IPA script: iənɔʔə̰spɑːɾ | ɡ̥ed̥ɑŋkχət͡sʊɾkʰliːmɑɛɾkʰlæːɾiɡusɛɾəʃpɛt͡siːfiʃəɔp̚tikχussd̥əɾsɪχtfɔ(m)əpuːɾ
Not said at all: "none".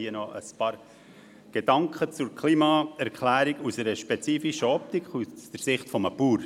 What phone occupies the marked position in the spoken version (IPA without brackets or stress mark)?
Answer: m